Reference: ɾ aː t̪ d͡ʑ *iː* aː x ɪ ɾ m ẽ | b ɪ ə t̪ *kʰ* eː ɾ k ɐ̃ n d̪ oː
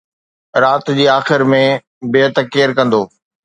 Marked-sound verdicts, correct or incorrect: correct, incorrect: k

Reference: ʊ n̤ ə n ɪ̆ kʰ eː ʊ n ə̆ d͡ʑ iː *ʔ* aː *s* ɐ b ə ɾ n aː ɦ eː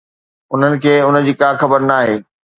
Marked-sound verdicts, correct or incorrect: incorrect: k, incorrect: x

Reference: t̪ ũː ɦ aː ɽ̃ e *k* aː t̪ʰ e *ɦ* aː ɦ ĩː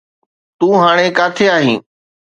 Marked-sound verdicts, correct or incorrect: correct, incorrect: none

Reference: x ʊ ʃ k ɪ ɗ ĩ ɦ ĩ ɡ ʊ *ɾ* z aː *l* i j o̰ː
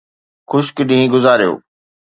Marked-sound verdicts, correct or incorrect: incorrect: none, incorrect: ɾ

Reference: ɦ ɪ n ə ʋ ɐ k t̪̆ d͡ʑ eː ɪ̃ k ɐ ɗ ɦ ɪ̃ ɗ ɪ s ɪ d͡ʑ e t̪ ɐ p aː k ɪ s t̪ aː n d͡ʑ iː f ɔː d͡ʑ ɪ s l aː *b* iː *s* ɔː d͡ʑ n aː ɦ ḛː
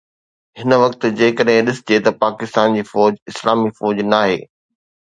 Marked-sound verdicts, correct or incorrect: incorrect: m, incorrect: f

